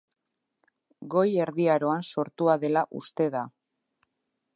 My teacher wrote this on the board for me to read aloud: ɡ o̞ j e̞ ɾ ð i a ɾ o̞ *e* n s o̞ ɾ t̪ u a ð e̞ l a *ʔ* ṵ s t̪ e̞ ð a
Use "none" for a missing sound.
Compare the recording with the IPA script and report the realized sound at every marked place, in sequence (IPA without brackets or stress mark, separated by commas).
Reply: a, ʔ